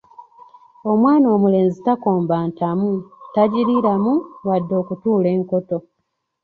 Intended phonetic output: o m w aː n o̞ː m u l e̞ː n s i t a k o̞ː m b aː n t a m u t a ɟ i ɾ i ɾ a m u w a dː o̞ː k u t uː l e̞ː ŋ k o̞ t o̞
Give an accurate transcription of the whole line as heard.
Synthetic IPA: o m w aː n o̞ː m u l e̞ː n z i t a k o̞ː m b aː n t a m u t a ɟ i ɾ i ɾ a m u w a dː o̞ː k u t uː l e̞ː ŋ k o̞ t o̞